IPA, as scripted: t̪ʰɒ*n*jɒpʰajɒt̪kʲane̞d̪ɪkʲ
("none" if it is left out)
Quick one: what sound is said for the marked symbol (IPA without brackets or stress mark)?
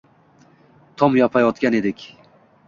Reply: m